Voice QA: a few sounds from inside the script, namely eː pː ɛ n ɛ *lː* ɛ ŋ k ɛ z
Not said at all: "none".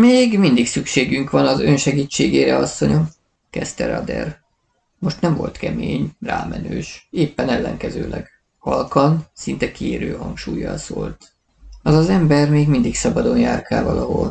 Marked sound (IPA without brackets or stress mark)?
lː